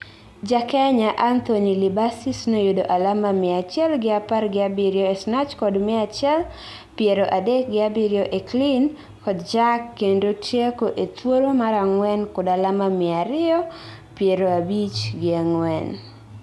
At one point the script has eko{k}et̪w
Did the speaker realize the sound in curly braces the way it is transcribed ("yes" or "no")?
no